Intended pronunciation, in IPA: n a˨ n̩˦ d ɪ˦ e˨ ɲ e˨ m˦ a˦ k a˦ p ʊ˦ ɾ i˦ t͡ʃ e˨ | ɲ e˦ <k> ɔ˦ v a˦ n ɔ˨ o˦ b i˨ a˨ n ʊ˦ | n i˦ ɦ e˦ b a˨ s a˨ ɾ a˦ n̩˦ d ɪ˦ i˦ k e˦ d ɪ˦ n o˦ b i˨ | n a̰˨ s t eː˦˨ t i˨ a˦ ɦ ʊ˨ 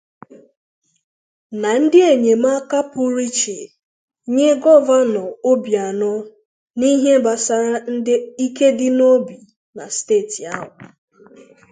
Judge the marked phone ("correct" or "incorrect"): incorrect